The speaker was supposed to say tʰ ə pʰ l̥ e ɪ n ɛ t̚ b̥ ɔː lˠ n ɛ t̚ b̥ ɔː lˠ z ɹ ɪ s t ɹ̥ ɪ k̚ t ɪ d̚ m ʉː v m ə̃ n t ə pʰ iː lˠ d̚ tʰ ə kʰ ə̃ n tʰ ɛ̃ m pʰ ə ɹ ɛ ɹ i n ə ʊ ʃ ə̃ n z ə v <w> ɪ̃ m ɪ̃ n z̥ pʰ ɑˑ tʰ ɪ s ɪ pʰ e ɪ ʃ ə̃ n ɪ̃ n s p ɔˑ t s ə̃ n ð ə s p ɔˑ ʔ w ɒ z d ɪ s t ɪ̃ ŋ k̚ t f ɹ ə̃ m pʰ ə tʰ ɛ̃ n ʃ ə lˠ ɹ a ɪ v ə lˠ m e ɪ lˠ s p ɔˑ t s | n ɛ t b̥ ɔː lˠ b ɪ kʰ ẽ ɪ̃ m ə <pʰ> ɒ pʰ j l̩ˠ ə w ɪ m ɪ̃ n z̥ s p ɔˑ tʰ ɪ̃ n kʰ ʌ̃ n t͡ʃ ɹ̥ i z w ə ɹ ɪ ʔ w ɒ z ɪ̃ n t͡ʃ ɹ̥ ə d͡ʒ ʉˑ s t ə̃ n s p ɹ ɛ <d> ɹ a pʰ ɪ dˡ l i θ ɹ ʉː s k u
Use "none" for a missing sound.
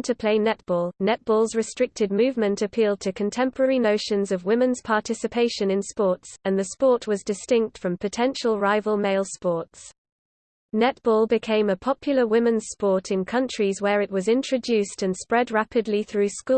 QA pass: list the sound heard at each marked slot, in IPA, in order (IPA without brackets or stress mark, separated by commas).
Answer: w, pʰ, d